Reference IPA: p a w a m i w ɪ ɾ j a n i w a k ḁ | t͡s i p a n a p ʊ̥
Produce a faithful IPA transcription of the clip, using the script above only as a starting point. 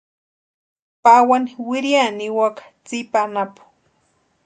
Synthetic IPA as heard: p a w a n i w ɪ ɾ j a n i w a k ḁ | t͡s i p a n a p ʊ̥